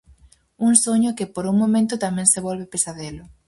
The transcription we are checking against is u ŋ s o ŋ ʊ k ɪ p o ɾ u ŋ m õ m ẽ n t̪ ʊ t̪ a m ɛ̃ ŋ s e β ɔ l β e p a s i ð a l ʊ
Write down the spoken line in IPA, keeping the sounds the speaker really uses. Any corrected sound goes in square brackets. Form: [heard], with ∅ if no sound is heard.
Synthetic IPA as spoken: u ŋ s o [ɲ] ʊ k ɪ p o ɾ u ŋ m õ m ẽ n t̪ ʊ t̪ a m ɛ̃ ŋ s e β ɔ l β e p [e] s [a] ð [e] l ʊ